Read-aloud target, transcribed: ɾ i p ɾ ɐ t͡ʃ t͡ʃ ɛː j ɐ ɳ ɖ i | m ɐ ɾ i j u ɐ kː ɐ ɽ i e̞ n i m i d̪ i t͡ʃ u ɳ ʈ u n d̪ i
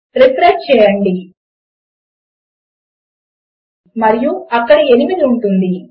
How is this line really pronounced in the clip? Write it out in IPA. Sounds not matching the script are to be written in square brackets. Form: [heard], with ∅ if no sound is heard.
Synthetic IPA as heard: ɾ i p ɾ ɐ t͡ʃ t͡ʃ ɛː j ɐ ɳ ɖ i | m ɐ ɾ i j u ɐ kː ɐ ɽ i e̞ n i m i d̪ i [∅] u ɳ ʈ u n d̪ i